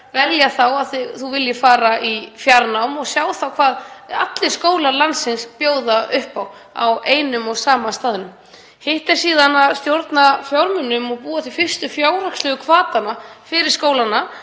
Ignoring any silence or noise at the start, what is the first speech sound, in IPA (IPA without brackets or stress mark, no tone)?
v